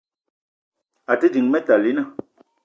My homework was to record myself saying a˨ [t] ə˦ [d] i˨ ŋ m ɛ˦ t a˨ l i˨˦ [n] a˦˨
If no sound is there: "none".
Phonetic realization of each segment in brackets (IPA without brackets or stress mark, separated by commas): t, d, n